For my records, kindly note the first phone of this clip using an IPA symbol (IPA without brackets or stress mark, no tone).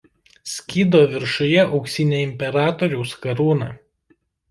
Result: sʲ